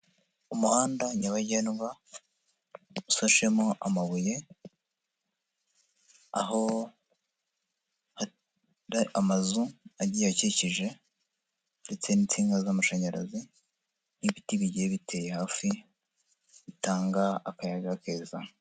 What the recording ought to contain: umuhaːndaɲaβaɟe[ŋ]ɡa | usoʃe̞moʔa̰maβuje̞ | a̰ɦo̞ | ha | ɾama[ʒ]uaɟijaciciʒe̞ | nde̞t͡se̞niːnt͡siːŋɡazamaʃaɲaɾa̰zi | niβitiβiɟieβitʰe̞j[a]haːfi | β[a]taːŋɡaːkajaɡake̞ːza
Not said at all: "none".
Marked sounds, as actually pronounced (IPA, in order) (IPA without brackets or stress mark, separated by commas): n, z, e, i